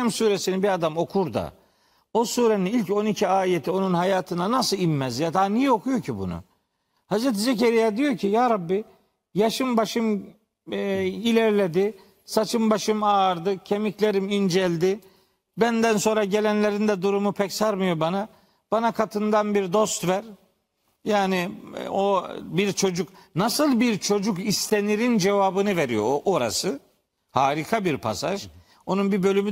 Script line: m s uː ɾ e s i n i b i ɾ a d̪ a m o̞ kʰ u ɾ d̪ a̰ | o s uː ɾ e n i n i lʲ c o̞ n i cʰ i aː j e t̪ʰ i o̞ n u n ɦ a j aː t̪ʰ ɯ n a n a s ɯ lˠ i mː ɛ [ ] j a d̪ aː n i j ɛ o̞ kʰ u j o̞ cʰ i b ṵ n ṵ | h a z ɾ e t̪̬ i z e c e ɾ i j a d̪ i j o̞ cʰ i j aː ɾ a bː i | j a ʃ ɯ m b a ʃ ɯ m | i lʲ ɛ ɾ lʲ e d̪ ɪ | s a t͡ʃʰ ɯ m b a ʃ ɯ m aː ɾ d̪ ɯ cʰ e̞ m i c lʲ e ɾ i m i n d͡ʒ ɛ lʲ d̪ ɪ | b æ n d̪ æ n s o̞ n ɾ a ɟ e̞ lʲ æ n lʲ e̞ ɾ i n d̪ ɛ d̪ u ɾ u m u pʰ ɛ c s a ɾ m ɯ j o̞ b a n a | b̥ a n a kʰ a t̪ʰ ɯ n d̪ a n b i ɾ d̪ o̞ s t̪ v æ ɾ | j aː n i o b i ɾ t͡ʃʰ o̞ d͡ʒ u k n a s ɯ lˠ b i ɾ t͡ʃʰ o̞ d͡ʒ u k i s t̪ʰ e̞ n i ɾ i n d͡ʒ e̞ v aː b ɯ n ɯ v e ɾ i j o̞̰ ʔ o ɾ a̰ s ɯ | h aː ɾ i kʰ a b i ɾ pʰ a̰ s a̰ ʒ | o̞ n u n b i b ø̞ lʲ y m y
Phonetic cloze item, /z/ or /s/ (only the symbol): z